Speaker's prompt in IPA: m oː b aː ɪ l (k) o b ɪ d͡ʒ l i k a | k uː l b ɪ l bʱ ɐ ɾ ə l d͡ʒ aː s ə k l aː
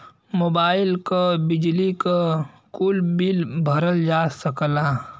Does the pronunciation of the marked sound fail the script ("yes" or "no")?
no